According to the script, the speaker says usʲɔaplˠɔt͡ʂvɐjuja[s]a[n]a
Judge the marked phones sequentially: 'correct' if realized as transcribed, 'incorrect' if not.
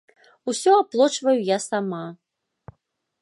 correct, incorrect: m

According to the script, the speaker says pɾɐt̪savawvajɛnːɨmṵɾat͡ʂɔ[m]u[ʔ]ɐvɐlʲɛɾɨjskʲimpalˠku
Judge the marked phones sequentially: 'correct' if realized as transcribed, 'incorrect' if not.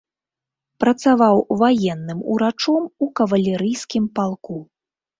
correct, incorrect: k

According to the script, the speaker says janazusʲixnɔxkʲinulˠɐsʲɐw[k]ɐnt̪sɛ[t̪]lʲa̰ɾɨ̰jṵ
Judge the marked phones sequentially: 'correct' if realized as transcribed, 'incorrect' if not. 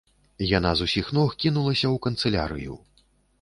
correct, incorrect: none

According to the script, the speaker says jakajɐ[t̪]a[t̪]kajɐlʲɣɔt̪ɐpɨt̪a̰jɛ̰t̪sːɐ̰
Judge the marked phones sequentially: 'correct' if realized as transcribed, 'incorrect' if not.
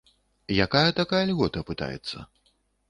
correct, incorrect: none

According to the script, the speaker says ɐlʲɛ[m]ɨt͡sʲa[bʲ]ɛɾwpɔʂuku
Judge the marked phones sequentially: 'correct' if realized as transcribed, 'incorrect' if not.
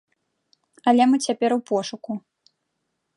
correct, incorrect: pʲ

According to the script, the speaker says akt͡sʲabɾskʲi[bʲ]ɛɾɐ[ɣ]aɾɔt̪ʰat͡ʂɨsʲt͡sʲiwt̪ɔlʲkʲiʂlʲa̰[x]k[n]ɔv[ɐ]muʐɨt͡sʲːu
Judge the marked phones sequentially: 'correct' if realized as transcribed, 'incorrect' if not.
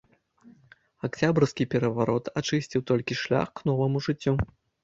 incorrect: pʲ, incorrect: v, correct, correct, correct

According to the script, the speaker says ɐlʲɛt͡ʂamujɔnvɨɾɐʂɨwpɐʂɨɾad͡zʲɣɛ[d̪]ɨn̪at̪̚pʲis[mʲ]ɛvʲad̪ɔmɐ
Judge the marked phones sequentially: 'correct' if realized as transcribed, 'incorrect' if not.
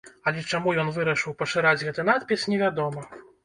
incorrect: t̪, incorrect: nʲ

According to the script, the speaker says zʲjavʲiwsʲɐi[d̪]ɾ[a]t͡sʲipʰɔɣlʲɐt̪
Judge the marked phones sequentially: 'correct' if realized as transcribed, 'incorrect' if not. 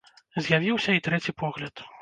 incorrect: t̪, incorrect: ɛ

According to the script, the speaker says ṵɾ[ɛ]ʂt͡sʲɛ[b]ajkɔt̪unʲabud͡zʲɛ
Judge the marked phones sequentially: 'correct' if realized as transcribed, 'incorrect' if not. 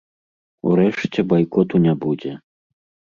correct, correct

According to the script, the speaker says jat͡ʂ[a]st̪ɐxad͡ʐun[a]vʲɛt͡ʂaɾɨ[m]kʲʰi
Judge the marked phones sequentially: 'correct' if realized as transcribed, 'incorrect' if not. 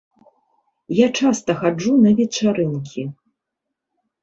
correct, incorrect: ɐ, incorrect: n

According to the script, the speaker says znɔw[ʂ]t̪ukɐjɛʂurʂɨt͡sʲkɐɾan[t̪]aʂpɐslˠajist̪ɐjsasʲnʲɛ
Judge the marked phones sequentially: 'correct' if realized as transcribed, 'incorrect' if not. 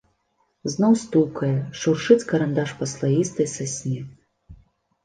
incorrect: s, incorrect: d̪

